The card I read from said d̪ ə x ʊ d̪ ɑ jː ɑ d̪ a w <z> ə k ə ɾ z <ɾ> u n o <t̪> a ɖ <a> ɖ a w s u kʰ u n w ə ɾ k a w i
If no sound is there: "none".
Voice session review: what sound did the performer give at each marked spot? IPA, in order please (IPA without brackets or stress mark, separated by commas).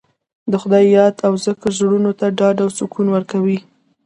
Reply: z, ɽ, t̪, ɑ